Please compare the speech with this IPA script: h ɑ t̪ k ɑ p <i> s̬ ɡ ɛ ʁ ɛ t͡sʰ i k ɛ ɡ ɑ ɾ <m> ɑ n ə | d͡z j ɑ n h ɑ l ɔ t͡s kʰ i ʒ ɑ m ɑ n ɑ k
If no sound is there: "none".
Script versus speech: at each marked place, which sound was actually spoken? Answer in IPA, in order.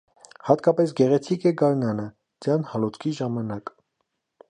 ɛ, n

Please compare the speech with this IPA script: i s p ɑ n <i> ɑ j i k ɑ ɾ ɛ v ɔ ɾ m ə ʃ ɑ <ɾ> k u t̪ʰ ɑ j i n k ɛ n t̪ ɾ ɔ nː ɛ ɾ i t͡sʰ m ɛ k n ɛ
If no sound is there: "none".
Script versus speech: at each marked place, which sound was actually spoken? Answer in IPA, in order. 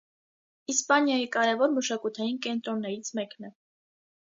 j, none

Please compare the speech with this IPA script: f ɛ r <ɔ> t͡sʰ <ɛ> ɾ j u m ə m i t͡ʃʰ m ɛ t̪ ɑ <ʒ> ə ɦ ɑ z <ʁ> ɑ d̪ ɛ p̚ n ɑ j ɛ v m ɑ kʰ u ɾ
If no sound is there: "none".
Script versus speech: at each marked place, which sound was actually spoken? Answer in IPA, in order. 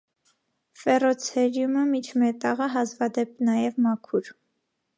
ɔ, ɛ, ʁ, v

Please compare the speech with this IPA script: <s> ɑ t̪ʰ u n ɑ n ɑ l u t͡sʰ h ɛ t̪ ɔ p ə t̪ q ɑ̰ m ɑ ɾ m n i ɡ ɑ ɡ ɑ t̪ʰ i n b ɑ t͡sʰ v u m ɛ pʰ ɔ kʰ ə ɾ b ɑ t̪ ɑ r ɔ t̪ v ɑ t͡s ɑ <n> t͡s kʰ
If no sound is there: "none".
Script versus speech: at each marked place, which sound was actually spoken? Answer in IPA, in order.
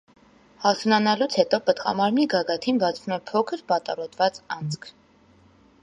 h, n

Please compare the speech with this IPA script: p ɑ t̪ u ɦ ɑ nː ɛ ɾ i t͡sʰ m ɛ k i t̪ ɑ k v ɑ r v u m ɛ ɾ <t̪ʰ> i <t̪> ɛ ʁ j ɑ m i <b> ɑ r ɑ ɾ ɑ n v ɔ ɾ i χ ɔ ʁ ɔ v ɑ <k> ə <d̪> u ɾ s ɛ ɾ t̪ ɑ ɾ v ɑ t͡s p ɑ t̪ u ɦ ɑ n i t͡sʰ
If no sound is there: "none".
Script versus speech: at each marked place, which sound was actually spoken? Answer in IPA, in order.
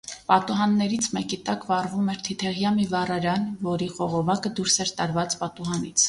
t̪ʰ, t̪ʰ, v, k, d̪

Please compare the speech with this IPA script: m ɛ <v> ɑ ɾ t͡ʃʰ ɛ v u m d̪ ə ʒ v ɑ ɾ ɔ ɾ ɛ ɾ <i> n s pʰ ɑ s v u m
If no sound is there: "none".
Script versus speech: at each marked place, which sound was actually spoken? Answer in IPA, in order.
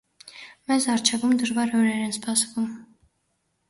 z, ɛ

